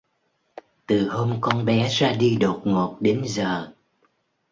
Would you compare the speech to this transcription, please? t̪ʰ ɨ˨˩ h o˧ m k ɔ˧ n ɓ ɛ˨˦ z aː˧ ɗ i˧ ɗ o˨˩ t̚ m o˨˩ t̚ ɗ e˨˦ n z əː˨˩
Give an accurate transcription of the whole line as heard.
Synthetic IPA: t̪ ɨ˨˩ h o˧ m k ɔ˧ n ɓ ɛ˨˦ z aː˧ ɗ i˧ ɗ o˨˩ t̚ ŋ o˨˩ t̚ ɗ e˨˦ n z əː˨˩